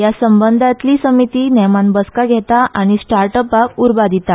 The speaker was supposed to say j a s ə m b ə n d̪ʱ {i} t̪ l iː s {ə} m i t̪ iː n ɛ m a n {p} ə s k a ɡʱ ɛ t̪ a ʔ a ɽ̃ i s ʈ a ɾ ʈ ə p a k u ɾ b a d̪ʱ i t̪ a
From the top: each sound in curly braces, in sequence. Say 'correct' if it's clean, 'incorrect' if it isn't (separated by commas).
incorrect, correct, incorrect